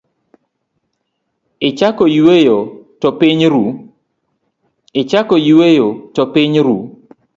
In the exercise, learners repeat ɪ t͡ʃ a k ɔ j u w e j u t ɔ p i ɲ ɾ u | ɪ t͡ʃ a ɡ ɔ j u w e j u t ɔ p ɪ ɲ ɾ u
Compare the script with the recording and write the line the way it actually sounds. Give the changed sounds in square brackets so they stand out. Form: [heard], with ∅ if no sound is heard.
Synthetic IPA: ɪ t͡ʃ a k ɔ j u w e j [o] t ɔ p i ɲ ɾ u | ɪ t͡ʃ a [k] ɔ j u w e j [o] t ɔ p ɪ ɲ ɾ u